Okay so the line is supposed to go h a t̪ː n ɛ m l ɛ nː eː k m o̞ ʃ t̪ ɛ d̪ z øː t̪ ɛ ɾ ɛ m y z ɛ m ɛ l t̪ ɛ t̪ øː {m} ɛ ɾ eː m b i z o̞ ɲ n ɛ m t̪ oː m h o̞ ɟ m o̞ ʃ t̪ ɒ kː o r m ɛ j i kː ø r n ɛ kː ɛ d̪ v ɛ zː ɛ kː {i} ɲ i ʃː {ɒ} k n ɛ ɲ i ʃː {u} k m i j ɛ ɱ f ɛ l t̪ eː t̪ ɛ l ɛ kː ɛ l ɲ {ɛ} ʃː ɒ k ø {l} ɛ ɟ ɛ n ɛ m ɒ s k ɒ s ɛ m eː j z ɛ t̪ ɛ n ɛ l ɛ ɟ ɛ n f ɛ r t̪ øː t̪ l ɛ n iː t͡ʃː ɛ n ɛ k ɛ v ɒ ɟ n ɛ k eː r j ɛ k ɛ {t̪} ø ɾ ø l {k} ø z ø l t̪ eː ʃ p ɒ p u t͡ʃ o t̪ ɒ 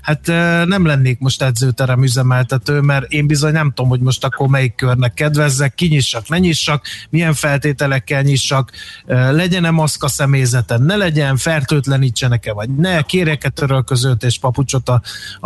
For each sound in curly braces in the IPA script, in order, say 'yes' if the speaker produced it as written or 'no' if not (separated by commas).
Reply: yes, yes, yes, no, no, yes, yes, yes